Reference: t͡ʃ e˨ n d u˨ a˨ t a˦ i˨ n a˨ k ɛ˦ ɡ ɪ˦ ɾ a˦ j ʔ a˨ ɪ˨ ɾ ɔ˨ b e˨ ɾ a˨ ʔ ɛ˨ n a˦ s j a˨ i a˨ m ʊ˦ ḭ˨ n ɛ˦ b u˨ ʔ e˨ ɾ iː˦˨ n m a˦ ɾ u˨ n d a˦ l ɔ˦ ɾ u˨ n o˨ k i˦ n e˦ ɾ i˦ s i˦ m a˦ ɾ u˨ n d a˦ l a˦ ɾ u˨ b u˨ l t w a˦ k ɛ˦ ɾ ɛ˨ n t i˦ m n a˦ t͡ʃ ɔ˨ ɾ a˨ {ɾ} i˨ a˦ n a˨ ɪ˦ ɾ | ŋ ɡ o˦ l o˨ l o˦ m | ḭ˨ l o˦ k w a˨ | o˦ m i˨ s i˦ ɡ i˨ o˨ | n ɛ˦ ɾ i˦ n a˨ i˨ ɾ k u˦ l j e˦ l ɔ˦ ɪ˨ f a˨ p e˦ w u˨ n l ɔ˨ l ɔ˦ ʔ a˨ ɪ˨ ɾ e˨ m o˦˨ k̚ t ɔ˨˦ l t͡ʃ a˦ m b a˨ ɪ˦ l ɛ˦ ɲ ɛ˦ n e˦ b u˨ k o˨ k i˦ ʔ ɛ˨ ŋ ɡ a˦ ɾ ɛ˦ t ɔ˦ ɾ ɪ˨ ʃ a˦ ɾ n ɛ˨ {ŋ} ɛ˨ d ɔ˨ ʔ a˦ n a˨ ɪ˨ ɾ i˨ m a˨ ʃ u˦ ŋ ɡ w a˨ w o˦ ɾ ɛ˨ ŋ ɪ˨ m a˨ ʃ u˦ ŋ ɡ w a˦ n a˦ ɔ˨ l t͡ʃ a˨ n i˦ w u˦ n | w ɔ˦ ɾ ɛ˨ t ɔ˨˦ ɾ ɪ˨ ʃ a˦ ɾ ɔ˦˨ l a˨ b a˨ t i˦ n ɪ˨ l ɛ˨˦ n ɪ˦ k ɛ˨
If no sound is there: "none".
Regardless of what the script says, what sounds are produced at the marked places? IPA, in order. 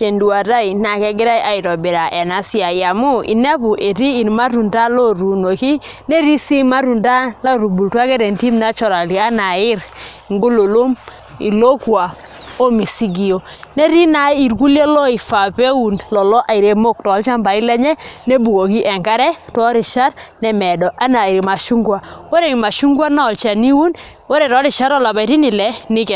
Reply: l, m

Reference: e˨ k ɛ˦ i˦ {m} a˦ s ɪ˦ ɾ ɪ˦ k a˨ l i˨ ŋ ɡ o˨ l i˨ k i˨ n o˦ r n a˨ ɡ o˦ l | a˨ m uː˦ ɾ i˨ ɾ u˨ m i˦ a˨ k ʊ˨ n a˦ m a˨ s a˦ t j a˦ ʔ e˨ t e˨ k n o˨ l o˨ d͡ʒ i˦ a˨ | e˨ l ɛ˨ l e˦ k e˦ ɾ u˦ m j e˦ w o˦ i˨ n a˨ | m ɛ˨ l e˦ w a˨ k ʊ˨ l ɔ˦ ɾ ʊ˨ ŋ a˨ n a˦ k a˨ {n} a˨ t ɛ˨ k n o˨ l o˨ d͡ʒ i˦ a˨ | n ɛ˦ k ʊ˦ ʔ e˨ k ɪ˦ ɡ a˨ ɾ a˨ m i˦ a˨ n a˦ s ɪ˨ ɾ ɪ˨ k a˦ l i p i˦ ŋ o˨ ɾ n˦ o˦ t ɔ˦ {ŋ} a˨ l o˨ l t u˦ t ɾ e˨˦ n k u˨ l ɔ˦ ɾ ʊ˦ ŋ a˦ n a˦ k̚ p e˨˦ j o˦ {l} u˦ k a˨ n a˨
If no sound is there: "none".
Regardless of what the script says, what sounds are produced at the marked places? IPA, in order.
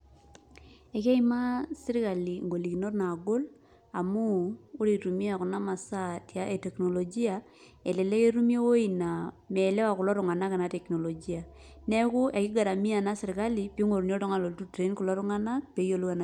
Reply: m, n, ŋ, l

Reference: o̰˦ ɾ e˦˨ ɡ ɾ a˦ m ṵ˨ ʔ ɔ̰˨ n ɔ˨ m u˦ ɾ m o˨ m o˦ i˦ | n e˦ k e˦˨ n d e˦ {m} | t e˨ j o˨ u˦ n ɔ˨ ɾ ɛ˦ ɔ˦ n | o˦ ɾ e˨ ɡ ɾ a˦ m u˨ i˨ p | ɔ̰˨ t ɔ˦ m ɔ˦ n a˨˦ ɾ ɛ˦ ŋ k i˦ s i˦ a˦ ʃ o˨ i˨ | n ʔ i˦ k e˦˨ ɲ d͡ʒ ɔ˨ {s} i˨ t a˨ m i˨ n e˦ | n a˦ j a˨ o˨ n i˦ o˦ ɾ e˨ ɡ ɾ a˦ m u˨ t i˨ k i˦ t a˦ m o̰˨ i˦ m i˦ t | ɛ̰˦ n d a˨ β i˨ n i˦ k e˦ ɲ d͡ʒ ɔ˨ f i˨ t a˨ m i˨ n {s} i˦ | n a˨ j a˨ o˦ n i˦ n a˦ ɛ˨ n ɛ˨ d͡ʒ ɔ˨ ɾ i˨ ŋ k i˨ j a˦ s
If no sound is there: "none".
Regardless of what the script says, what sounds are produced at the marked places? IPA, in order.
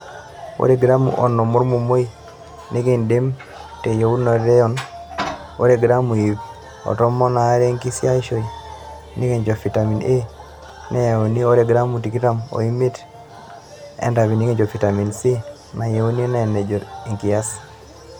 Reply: m, f, s

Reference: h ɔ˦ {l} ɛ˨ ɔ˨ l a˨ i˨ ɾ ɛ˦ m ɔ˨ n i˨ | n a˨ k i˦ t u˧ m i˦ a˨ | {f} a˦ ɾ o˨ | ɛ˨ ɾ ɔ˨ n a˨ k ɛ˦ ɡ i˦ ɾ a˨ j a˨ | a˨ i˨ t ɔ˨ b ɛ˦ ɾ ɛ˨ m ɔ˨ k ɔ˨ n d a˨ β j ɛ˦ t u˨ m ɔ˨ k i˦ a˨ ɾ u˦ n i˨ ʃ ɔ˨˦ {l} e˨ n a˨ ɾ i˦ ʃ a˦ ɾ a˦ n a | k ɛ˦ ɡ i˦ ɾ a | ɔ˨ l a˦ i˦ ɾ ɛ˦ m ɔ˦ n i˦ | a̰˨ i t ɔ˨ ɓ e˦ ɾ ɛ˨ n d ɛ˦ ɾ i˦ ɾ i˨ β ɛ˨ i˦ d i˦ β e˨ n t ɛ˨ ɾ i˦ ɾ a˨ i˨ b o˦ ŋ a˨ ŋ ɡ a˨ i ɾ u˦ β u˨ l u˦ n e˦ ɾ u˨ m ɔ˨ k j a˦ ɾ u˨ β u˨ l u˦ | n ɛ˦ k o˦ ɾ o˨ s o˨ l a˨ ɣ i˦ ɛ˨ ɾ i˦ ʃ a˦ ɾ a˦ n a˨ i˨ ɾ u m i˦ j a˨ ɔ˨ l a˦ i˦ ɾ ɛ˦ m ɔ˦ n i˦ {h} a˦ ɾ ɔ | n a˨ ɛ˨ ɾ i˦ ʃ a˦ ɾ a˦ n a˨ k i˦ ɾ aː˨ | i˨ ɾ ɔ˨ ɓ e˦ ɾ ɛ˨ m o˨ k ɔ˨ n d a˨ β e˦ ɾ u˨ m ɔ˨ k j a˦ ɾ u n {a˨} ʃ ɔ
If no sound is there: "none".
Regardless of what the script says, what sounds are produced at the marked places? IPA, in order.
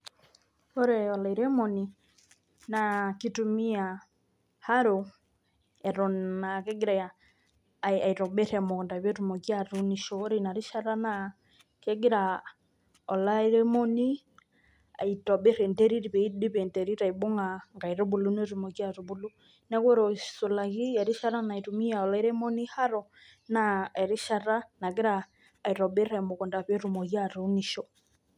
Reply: ɾ, h, ɾ, h, i˨

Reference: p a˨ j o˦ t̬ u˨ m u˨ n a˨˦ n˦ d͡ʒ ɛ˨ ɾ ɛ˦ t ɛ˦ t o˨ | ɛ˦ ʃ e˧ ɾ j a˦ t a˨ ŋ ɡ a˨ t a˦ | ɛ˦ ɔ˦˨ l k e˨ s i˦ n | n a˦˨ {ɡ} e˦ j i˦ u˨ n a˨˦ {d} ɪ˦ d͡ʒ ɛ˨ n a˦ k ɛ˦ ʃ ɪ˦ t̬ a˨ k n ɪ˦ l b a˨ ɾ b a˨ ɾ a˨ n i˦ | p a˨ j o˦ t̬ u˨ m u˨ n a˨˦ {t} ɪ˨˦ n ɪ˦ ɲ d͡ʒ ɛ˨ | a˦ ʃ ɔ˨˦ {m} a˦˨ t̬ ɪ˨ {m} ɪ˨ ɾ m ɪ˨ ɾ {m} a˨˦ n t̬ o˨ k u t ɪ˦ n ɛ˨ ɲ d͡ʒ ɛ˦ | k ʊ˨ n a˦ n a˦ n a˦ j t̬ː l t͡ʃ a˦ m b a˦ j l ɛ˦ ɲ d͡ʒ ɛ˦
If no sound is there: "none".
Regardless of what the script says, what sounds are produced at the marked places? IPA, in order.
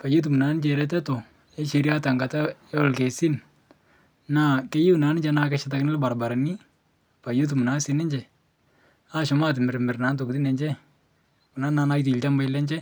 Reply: k, n, s, m, m, n

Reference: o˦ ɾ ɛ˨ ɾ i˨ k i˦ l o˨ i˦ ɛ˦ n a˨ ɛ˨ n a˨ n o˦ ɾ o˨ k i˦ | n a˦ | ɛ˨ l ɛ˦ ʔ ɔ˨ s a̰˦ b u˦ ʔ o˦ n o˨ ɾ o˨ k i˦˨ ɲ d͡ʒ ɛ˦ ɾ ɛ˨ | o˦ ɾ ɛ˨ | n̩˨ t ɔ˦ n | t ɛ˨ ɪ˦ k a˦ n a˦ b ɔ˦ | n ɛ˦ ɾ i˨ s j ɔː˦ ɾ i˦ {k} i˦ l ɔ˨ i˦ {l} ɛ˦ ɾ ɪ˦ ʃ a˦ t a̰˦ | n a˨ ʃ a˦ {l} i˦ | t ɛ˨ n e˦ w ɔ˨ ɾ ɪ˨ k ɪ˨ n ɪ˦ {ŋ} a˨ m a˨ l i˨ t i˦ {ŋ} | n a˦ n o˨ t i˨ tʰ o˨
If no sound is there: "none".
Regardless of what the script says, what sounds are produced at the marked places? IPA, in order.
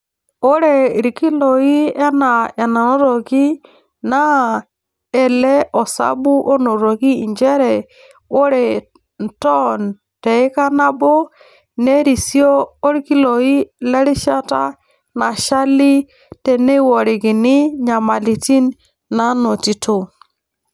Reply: k, l, l, ɲ, n

